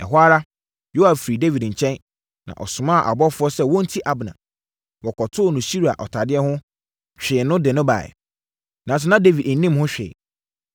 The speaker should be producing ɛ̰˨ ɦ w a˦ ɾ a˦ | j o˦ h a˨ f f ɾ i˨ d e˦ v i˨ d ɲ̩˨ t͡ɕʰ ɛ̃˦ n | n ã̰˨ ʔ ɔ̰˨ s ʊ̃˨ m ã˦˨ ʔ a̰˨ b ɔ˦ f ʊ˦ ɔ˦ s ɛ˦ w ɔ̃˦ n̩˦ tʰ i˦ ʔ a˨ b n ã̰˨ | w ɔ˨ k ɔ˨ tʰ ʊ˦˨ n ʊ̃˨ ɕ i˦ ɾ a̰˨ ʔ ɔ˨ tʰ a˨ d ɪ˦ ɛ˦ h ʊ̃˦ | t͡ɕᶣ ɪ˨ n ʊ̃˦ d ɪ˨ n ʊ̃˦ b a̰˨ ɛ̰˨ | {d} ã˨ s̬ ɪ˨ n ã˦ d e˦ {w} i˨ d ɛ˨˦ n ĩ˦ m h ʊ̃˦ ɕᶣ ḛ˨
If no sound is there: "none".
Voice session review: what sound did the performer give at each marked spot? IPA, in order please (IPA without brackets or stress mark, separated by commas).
n, v